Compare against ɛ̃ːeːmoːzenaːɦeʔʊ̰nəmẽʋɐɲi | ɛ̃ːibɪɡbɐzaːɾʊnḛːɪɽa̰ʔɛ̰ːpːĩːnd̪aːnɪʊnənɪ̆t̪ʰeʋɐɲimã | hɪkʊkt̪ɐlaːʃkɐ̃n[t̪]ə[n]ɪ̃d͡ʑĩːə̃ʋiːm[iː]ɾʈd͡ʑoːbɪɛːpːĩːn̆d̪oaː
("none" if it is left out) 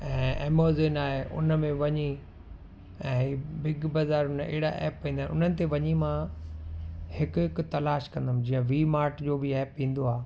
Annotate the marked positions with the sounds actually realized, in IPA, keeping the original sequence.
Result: d̪, m, aː

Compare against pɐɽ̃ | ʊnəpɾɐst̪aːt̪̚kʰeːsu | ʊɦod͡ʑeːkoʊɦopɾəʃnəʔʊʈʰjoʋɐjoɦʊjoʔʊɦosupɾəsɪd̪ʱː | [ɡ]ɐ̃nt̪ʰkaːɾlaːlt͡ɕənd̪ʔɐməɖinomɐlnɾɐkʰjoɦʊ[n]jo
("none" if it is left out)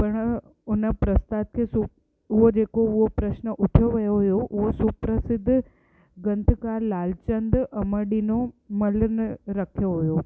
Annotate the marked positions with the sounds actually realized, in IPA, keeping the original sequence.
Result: ɡ, none

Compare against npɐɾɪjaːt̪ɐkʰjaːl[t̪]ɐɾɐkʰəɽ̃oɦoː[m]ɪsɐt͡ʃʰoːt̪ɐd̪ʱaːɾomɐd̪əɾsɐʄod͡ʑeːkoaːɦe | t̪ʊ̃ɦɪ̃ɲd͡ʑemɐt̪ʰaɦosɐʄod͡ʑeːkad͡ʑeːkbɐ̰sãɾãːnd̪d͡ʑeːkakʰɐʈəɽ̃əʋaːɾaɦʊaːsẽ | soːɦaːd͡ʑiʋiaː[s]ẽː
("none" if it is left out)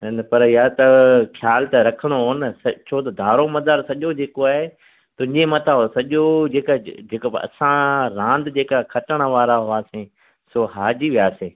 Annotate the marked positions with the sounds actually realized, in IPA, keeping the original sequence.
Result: t̪, n, s

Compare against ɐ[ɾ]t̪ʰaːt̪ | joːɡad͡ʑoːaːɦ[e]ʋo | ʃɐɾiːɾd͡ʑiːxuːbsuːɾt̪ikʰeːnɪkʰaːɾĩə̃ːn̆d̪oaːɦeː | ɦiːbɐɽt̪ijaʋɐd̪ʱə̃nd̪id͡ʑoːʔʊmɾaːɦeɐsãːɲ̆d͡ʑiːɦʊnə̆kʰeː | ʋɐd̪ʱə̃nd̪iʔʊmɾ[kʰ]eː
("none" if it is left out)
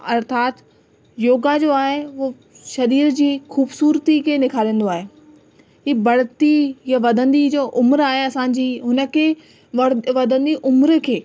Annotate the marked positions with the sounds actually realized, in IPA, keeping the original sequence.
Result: ɾ, e, kʰ

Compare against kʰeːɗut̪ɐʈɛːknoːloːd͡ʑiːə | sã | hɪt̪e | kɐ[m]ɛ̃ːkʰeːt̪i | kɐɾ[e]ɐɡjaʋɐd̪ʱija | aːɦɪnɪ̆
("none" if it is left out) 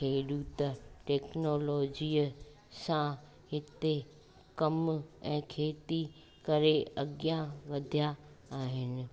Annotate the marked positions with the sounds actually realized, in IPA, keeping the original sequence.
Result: m, e

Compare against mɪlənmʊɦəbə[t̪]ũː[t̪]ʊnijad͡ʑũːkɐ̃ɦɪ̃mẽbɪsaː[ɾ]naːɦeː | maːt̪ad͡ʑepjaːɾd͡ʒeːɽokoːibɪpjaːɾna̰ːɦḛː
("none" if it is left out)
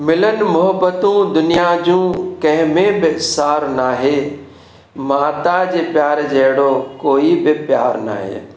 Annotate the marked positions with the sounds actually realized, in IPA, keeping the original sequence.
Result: t̪, d̪, ɾ

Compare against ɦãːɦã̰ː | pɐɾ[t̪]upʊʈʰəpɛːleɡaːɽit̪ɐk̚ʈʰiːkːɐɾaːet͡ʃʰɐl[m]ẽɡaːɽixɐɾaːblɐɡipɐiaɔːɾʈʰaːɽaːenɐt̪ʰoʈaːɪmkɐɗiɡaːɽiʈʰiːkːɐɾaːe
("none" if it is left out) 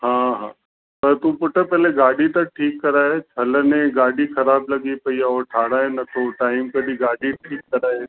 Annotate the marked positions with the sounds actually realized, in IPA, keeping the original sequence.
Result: t̪, n

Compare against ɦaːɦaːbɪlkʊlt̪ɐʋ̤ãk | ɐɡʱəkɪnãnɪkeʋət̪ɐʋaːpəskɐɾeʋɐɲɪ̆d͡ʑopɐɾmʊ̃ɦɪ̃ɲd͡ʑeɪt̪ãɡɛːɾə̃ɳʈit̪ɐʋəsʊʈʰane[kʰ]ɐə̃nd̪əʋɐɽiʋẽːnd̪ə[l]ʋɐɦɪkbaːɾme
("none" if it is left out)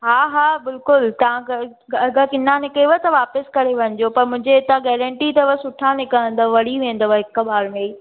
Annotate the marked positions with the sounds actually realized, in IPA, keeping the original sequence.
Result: k, none

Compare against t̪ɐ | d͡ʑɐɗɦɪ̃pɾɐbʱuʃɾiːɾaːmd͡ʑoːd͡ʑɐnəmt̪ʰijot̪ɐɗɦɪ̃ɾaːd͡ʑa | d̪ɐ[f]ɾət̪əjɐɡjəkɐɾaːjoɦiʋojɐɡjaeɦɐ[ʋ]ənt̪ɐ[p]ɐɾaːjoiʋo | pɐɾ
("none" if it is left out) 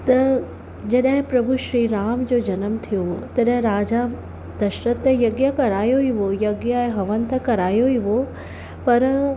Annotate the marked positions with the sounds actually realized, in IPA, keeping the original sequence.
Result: ʃ, ʋ, k

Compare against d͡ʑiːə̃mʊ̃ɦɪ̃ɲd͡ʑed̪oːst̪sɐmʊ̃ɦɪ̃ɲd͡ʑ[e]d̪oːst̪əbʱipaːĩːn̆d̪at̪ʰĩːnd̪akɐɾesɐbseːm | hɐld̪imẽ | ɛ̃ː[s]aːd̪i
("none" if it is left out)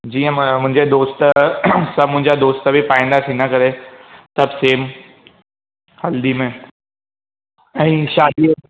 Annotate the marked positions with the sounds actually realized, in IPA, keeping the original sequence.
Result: a, ʃ

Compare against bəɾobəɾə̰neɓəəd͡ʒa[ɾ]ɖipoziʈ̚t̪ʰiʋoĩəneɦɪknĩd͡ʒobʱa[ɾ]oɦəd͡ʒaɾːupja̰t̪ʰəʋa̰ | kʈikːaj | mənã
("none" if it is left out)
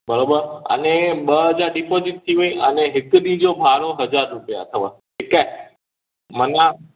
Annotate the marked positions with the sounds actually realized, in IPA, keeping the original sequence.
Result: ɾ, ɾ

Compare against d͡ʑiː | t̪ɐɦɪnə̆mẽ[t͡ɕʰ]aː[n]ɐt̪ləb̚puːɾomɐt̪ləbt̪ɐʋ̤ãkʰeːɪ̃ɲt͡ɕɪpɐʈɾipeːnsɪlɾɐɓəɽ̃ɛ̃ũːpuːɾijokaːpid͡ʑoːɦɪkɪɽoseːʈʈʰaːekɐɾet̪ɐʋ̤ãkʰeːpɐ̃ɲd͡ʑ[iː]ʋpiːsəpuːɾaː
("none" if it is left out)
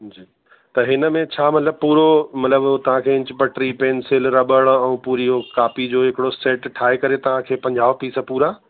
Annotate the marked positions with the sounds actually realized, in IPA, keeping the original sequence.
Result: t͡ɕʰ, m, aː

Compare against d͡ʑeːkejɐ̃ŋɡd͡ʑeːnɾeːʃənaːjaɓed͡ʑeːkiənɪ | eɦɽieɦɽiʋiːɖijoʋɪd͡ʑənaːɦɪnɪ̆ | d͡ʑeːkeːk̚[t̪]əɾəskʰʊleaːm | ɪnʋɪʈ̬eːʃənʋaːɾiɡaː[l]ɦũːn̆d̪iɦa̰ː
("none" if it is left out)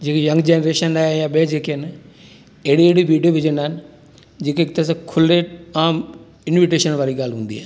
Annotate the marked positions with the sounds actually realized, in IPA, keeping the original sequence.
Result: t̪, l

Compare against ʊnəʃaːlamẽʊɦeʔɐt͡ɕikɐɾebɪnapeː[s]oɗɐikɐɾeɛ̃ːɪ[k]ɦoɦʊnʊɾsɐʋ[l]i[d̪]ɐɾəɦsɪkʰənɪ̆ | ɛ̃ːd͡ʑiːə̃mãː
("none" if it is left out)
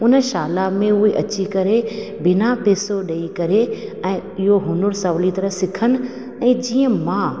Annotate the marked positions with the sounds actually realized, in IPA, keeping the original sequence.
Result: s, none, l, t̪

